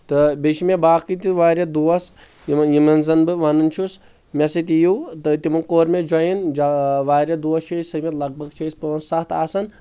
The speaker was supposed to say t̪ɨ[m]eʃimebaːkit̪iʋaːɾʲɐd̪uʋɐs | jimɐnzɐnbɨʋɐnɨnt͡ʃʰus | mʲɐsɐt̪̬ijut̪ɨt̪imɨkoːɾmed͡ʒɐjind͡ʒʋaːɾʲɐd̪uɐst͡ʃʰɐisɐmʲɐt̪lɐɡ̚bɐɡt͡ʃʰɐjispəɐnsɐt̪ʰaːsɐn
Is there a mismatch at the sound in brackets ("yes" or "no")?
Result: yes